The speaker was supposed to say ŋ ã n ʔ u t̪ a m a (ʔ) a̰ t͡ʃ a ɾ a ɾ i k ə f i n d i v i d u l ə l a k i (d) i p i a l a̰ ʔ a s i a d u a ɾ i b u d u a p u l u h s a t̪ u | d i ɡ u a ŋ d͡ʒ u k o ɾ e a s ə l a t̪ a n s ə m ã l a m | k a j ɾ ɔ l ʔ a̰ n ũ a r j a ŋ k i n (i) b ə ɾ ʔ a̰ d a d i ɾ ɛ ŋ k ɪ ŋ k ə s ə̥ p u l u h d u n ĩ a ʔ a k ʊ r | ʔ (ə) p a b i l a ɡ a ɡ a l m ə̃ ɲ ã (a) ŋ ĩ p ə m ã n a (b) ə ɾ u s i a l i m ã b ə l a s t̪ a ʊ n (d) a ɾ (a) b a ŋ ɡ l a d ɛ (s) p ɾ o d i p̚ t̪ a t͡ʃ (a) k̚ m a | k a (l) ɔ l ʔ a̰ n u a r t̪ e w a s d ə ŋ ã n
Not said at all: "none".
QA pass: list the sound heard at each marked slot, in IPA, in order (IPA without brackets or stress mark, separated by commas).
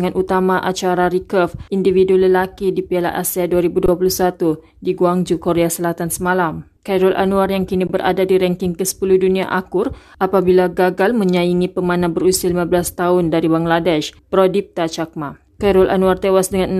ʔ, d, i, a, i, b, d, i, ʃ, a, ɾ